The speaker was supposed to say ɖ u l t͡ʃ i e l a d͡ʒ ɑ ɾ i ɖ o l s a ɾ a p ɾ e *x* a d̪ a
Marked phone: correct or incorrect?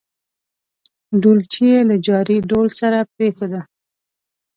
correct